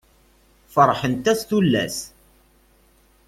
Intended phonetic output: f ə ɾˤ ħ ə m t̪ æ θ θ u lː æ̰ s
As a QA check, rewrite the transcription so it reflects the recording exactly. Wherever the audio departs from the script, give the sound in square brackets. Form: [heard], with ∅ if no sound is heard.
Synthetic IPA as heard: f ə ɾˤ ħ ə [n] t̪ æ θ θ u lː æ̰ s